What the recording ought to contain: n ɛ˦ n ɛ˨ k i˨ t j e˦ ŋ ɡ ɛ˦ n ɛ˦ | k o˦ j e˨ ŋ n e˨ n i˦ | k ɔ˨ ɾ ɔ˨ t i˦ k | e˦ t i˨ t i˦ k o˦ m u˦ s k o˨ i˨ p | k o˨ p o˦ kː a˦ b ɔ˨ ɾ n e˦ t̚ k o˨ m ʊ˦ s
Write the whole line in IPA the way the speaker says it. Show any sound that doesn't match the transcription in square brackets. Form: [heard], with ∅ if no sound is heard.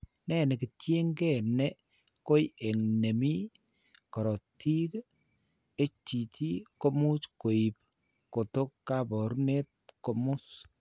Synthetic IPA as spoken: n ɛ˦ n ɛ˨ k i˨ t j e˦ ŋ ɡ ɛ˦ n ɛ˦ | k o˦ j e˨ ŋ n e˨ [m] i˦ | k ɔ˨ ɾ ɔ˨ t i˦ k | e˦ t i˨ t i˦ k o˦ m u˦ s k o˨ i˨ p | k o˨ [t] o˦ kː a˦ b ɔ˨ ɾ n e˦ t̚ k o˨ m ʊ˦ s